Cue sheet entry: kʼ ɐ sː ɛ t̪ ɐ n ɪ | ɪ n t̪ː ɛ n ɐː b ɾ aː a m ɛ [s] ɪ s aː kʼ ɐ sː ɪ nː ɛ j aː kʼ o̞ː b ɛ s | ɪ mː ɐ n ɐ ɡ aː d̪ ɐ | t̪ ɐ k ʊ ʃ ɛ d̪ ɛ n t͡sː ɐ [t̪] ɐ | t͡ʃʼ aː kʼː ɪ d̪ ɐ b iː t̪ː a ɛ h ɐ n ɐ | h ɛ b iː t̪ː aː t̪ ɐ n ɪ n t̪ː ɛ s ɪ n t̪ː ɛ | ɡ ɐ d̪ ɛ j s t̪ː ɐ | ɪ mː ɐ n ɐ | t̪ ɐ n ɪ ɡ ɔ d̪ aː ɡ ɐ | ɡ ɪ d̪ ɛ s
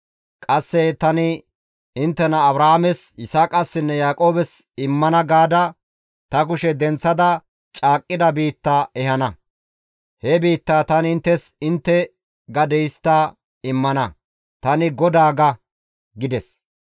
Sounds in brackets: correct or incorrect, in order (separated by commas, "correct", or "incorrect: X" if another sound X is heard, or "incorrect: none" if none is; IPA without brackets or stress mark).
correct, incorrect: d̪